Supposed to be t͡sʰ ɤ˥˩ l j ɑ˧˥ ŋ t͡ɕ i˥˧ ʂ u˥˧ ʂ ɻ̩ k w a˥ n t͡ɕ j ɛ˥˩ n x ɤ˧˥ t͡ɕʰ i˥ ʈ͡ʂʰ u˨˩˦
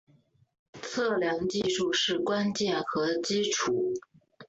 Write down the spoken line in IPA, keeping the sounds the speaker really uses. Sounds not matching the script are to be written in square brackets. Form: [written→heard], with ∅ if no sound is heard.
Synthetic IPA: t͡sʰ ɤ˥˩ l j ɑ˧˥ ŋ t͡ɕ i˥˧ ʂ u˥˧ ʂ ɻ̩ k w a˥ n t͡ɕ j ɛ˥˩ n x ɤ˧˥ [t͡ɕʰ→t͡ɕ] i˥ ʈ͡ʂʰ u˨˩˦

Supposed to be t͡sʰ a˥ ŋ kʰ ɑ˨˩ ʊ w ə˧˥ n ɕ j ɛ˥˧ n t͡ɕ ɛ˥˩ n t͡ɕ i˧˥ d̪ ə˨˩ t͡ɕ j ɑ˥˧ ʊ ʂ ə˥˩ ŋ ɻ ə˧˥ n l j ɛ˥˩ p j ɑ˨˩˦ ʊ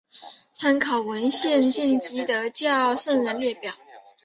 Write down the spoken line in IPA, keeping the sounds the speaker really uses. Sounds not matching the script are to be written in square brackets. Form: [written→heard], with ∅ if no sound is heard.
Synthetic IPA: t͡sʰ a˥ [ŋ→n] kʰ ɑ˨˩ ʊ w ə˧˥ n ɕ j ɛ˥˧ n t͡ɕ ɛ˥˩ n t͡ɕ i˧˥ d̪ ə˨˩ t͡ɕ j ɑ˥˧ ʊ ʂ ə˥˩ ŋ ɻ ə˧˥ n l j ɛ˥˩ p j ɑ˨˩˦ ʊ

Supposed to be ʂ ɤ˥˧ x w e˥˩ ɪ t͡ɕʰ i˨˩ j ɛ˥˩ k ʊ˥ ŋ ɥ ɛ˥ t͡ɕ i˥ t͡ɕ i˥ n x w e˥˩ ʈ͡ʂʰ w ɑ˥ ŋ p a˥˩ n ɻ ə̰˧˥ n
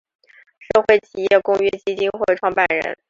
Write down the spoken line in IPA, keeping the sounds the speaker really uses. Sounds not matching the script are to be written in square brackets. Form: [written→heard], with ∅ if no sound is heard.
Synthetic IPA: ʂ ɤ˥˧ x w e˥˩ ɪ t͡ɕʰ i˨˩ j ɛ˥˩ k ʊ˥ ŋ ɥ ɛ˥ t͡ɕ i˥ t͡ɕ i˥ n x w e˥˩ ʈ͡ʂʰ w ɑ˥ ŋ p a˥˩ n ɻ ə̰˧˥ n

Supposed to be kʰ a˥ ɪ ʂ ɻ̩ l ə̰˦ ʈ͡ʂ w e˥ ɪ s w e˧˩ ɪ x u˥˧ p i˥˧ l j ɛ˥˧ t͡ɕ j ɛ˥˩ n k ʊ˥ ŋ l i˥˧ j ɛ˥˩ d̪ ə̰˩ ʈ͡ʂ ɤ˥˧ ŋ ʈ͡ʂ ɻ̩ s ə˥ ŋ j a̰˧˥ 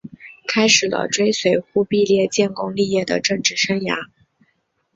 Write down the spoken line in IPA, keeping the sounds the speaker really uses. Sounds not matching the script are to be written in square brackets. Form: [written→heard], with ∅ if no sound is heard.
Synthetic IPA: kʰ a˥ ɪ ʂ ɻ̩ l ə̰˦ ʈ͡ʂ w e˥ ɪ s w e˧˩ ɪ x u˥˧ p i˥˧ l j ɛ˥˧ t͡ɕ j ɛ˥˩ n k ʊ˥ ŋ l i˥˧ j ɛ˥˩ d̪ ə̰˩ ʈ͡ʂ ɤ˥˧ ŋ ʈ͡ʂ ɻ̩ [s→ʂ] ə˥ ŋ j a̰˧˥

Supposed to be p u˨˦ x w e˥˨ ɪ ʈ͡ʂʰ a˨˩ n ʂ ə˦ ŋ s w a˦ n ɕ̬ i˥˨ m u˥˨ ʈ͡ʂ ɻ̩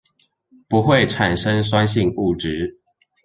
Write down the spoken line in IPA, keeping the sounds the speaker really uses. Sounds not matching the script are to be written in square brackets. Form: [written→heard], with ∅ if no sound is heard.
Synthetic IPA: p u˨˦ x w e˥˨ ɪ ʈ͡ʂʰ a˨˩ n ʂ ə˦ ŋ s w a˦ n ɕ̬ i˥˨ [m→ŋ] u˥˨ ʈ͡ʂ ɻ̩

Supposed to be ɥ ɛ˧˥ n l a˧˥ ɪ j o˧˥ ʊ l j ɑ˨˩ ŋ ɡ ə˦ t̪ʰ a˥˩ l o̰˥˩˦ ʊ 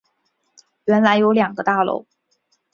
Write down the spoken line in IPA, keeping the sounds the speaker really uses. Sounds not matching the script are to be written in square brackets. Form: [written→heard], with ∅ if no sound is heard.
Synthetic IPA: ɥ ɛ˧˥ n l a˧˥ ɪ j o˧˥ ʊ l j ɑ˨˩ ŋ ɡ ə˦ [t̪ʰ→t̪] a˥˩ l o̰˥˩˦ ʊ

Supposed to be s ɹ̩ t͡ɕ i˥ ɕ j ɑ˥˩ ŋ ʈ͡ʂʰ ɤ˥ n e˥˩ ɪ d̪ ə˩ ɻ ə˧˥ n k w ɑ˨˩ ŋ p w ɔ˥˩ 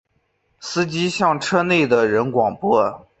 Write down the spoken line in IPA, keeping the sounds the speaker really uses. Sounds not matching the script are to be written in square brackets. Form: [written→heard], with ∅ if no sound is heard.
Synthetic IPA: s ɹ̩ t͡ɕ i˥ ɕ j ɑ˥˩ ŋ ʈ͡ʂʰ ɤ˥ n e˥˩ ɪ d̪ ə˩ ɻ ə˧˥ n k w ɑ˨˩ ŋ p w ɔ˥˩

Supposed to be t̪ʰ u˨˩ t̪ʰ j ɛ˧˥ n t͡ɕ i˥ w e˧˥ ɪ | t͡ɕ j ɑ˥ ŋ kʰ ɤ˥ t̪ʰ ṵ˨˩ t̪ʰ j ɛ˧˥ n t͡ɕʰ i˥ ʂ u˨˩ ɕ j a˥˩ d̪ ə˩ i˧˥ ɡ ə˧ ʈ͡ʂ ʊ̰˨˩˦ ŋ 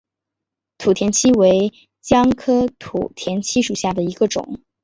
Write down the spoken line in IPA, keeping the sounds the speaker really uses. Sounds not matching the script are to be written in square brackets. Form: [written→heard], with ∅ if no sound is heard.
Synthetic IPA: t̪ʰ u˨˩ t̪ʰ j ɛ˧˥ n [t͡ɕ→t͡ɕʰ] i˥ w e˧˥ ɪ | t͡ɕ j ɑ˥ ŋ kʰ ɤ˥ t̪ʰ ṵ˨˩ t̪ʰ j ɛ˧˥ n t͡ɕʰ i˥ ʂ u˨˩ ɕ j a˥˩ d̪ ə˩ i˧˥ ɡ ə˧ ʈ͡ʂ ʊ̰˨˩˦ ŋ

